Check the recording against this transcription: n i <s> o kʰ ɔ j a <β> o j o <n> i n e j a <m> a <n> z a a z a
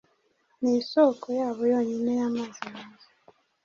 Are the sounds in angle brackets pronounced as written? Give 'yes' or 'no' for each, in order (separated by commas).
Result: yes, yes, no, yes, no